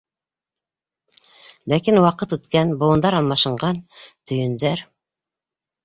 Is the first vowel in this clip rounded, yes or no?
no